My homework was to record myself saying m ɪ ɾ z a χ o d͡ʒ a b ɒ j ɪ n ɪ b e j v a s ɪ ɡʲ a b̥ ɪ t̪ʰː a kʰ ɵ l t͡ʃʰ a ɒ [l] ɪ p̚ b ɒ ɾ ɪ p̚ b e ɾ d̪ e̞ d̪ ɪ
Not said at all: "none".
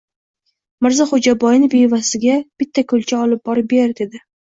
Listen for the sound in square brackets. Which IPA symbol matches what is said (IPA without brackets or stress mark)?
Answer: l